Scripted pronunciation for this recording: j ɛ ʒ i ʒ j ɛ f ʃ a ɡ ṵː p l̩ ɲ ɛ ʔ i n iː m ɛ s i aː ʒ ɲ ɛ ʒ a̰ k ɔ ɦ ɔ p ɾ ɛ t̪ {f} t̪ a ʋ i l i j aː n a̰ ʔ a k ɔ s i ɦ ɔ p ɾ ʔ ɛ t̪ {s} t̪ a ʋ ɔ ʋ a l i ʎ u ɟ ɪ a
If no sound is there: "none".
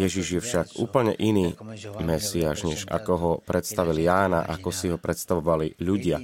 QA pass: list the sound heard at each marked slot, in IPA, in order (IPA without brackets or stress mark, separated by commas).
s, s